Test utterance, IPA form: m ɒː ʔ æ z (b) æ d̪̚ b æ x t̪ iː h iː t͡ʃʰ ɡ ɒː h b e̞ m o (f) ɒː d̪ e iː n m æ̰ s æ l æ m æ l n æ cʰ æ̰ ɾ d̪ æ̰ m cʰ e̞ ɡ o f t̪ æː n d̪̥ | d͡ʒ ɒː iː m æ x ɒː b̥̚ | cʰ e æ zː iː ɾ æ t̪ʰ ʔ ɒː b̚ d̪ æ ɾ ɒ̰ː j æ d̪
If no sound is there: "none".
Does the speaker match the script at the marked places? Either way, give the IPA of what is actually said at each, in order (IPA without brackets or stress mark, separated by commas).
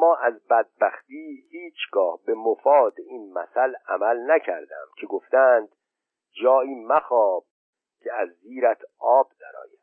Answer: b, f